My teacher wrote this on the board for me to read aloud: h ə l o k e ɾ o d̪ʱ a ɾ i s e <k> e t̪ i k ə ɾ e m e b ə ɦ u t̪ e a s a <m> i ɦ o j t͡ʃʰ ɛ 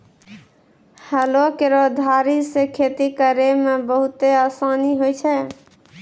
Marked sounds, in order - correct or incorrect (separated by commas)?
incorrect, incorrect